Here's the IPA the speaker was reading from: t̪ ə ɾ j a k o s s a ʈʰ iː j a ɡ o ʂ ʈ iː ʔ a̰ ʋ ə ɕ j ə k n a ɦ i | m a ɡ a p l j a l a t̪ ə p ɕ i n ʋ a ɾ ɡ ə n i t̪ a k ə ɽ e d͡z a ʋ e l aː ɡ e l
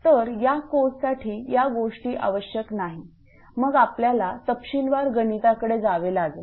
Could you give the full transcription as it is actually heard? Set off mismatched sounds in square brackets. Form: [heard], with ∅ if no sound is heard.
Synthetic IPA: t̪ ə ɾ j a k o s s a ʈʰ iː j a ɡ o ʂ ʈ iː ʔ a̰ ʋ ə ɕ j ə k n a ɦ i | m [ə] ɡ a p l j a l a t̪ ə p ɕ i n ʋ a ɾ ɡ ə n i t̪ a k ə ɽ e d͡z a ʋ e l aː ɡ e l